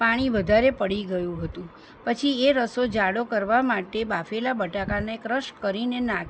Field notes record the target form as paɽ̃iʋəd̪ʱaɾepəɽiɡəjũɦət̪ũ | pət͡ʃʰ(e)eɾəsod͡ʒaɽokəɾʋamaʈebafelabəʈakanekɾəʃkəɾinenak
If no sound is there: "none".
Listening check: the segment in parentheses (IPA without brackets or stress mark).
i